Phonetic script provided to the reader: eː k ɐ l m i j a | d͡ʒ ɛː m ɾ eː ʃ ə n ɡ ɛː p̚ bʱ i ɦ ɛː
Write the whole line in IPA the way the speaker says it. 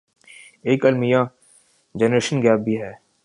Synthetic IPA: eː k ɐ l m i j a | d͡ʒ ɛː n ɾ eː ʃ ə n ɡ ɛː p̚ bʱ i ɦ ɛː